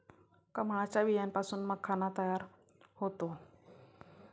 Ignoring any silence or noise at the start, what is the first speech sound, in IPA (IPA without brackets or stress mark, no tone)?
k